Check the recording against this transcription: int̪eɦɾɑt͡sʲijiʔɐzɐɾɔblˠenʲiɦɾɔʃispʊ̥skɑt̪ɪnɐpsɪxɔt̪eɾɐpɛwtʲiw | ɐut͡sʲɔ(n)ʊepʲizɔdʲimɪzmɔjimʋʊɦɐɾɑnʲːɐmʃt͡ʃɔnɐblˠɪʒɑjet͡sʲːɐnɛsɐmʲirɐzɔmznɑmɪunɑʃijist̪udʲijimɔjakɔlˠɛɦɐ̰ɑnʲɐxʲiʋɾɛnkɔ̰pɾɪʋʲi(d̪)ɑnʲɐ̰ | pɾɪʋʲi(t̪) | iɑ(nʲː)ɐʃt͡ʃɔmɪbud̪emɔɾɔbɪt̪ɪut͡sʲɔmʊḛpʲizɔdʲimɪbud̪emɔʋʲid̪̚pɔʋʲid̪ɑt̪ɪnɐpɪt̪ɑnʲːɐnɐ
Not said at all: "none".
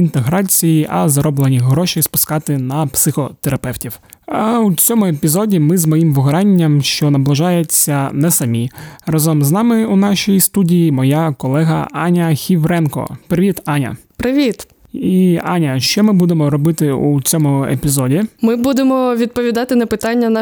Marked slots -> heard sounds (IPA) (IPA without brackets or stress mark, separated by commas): m, t̪, t̪, nʲ